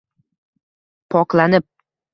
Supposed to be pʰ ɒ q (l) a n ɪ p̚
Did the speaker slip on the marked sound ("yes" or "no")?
no